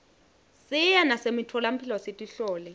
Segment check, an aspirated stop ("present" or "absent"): present